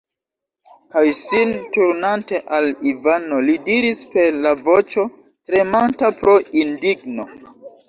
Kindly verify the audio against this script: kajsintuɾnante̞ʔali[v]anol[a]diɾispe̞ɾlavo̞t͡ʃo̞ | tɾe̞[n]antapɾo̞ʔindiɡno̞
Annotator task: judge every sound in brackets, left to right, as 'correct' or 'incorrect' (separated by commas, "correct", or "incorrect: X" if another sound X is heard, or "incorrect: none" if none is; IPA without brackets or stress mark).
correct, incorrect: i, incorrect: m